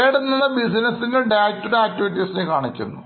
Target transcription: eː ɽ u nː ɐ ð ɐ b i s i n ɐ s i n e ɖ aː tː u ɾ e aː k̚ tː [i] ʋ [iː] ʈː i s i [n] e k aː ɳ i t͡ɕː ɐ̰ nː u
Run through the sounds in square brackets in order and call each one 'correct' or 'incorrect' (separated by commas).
correct, incorrect, correct